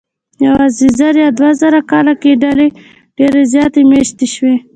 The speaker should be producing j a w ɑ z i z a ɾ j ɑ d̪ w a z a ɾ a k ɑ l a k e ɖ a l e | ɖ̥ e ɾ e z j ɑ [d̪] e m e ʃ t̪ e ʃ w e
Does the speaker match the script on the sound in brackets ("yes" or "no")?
no